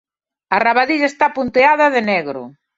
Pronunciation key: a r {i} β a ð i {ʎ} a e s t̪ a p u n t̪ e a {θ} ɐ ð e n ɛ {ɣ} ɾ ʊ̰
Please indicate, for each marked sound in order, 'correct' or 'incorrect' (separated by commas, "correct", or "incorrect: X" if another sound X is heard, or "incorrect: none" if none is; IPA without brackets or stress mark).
incorrect: a, correct, incorrect: ð, correct